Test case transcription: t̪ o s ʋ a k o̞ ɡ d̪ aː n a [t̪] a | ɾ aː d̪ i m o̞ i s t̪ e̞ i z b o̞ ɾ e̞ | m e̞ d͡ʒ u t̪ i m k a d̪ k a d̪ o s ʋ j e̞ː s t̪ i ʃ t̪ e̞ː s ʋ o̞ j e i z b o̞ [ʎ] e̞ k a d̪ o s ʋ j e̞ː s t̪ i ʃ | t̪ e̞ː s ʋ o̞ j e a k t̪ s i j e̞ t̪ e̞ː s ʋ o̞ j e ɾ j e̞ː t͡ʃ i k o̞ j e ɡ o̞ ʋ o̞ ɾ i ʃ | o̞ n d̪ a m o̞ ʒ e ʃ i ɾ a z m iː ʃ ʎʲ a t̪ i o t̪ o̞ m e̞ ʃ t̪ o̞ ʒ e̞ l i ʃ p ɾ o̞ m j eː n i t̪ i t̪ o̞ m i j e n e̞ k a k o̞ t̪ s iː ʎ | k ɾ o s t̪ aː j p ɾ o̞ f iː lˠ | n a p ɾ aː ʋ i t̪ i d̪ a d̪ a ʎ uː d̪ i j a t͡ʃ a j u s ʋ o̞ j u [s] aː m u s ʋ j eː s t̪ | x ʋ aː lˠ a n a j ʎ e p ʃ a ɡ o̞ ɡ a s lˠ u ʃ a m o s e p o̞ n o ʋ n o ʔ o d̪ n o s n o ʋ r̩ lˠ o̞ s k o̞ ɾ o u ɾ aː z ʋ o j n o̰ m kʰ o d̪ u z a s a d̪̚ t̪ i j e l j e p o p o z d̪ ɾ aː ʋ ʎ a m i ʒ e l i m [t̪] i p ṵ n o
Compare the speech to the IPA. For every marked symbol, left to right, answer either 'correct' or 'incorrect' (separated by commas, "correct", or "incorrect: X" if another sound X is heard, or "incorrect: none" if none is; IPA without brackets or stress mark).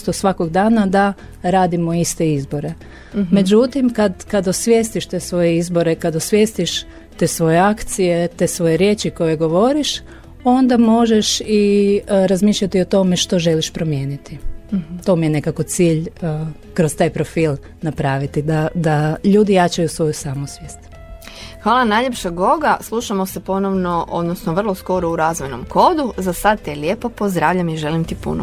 incorrect: d̪, incorrect: ɾ, correct, correct